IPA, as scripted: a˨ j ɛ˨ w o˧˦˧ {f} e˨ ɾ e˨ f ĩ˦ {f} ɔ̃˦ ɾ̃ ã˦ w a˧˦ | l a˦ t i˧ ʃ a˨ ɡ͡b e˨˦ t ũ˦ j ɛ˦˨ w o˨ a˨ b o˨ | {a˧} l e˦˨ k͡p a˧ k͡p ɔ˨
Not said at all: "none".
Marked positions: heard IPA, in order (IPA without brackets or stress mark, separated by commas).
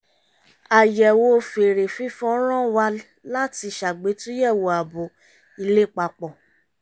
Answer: f, f, i˧